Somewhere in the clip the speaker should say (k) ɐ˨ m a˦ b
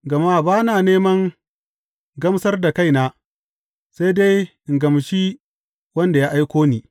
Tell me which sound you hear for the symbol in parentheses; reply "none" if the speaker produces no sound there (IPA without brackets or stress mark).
ɡ